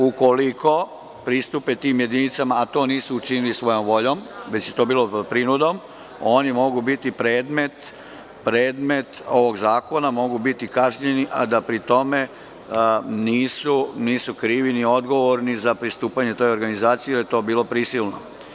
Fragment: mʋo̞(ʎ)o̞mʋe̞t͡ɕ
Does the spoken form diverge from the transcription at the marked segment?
no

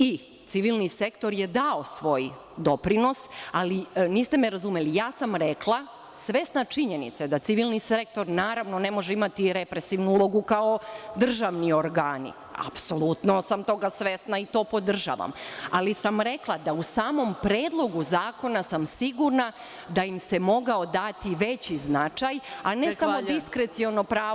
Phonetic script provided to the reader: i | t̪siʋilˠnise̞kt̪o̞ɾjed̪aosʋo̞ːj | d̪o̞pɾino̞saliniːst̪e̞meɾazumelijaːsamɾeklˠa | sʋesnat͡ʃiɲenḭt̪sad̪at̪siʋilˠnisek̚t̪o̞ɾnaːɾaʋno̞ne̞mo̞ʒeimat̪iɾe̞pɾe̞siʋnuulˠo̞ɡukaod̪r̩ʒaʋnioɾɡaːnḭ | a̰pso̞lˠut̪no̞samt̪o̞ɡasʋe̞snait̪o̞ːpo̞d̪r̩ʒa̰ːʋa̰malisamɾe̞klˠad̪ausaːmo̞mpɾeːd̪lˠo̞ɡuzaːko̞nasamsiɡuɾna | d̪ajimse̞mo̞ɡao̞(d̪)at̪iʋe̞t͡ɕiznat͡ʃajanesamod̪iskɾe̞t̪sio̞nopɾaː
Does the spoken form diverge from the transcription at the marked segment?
no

